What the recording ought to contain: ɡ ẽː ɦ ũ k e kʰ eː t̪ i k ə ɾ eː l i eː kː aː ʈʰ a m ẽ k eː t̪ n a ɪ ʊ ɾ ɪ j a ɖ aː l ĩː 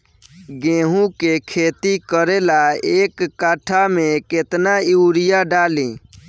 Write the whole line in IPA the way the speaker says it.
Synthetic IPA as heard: ɡ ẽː ɦ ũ k e kʰ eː t̪ i k ə ɾ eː l a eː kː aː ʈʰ a m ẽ k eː t̪ n a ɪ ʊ ɾ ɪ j a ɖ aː l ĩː